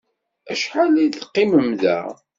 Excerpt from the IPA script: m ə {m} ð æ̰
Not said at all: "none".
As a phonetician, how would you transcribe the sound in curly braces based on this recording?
m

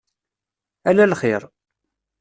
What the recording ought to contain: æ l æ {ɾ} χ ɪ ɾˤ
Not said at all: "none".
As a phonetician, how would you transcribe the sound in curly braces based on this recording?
l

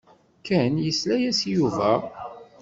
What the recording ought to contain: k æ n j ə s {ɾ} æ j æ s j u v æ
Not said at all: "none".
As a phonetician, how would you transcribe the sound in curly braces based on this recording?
l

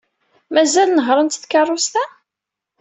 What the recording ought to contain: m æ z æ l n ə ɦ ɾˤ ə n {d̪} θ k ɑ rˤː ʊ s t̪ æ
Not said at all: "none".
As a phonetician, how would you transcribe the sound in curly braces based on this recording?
t̪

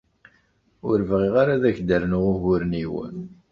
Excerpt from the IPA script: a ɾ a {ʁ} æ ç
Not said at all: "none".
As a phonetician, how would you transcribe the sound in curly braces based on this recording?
ð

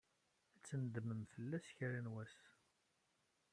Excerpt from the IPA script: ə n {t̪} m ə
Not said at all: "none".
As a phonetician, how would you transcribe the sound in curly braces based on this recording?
d̪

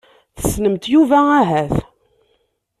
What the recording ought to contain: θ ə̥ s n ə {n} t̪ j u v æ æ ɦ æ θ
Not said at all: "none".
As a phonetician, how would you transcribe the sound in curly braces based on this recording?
m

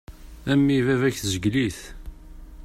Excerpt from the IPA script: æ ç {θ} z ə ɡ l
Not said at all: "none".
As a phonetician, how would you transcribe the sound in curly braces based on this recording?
θ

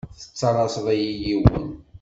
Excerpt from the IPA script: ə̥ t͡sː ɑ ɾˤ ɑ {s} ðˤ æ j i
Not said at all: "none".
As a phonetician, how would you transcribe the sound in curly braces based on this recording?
s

